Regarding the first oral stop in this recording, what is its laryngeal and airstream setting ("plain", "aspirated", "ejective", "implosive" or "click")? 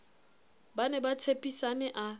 plain